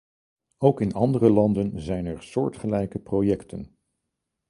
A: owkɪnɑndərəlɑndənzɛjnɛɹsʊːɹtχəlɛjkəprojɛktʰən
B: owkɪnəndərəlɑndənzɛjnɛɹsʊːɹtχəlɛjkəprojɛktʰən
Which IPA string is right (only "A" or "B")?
A